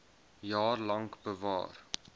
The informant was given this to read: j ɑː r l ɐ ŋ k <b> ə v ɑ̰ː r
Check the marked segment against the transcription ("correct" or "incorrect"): correct